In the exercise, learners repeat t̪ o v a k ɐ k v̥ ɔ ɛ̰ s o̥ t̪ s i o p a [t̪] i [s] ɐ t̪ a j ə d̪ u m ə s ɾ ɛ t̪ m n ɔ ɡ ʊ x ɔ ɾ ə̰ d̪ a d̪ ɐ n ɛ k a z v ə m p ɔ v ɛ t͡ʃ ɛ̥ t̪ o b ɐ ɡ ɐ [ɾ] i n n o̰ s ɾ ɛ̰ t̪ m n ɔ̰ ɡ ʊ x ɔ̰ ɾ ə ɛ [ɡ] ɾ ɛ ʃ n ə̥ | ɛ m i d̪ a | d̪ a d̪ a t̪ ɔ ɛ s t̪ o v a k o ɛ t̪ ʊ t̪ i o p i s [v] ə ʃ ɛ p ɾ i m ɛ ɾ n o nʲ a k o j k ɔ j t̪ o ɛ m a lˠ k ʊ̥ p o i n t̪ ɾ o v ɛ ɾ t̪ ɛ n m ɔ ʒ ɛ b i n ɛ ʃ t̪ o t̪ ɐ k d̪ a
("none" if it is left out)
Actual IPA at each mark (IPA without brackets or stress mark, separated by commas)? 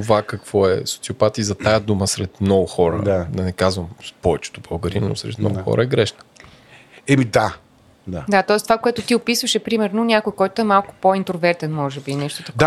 t̪, z, ɾ, ɡ, v